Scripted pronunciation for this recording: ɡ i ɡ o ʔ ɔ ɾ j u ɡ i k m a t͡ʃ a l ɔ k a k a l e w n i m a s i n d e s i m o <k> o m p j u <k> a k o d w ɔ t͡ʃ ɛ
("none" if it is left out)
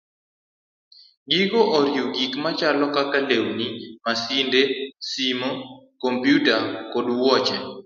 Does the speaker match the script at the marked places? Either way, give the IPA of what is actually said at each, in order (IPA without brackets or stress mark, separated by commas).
k, t